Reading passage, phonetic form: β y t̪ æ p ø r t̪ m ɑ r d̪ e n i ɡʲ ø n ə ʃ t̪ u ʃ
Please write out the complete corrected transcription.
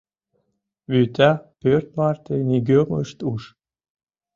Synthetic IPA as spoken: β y t̪ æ p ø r t̪ m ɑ r t̪ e n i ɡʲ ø m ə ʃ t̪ u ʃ